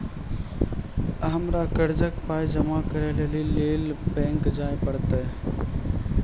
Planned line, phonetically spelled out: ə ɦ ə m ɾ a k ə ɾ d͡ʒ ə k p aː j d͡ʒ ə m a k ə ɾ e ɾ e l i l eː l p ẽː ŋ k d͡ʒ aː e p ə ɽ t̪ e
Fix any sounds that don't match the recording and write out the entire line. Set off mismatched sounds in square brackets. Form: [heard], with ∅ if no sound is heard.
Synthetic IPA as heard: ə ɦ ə m ɾ a k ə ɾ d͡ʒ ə k p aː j d͡ʒ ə m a k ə ɾ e [l] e l i l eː l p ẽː ŋ k d͡ʒ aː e p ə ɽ t̪ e